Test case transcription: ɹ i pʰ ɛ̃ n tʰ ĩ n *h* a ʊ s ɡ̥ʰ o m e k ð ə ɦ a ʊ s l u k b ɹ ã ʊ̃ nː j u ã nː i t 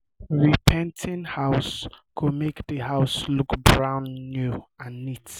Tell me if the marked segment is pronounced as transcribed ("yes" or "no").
yes